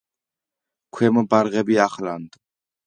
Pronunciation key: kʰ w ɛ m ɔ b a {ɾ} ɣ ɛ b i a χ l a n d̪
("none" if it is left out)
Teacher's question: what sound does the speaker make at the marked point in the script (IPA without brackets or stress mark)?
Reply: ɾ